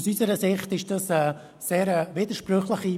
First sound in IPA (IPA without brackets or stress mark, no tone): s